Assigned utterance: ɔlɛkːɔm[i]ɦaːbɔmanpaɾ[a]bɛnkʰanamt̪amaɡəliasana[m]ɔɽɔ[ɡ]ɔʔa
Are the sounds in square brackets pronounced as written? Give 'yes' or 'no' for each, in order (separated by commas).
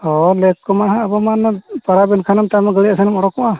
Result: no, yes, yes, no